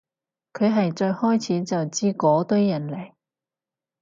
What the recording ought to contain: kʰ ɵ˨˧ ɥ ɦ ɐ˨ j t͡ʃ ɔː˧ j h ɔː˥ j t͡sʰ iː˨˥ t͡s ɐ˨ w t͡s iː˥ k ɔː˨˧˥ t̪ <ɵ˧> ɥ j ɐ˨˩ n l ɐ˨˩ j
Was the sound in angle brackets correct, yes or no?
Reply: no